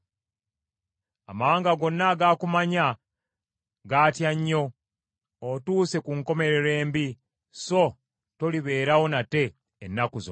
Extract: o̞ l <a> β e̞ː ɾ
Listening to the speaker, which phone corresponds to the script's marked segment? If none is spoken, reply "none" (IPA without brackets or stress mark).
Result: i